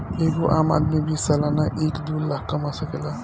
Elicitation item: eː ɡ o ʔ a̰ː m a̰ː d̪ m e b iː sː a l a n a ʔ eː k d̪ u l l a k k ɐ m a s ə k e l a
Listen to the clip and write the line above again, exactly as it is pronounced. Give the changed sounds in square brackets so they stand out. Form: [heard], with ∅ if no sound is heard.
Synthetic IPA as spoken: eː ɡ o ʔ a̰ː m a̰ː d̪ m [i] b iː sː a l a n a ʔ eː k d̪ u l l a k k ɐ m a s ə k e l a